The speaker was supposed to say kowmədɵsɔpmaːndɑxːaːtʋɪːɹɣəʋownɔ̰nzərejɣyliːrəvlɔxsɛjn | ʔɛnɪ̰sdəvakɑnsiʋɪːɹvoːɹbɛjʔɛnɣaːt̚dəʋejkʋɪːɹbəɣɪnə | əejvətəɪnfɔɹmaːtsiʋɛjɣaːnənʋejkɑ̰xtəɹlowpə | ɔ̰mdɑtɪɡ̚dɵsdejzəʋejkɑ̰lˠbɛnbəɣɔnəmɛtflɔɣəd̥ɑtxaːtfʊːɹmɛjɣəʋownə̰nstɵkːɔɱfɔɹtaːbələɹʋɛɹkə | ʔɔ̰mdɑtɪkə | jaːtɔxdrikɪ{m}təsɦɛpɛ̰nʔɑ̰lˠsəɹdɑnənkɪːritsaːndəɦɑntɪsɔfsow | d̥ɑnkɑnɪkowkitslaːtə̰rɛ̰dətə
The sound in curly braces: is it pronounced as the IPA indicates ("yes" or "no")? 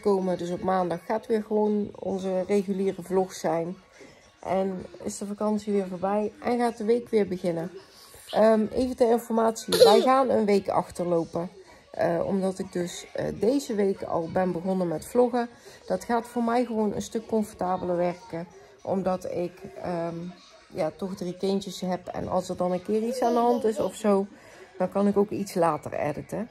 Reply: no